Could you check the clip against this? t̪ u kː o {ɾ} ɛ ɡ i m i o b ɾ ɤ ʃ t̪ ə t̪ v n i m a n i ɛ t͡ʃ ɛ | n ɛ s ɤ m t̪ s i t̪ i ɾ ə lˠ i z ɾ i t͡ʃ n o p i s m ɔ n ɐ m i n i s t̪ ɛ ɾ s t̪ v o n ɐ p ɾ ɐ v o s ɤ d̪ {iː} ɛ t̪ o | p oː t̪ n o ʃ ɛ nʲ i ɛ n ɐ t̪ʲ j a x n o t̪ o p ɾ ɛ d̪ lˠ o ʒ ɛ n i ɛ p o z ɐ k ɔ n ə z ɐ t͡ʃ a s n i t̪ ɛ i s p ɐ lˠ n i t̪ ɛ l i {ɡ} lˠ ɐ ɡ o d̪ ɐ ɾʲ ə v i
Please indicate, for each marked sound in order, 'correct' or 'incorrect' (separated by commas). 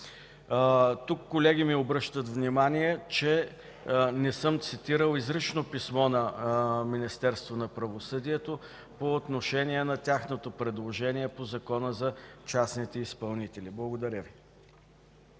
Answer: incorrect, incorrect, incorrect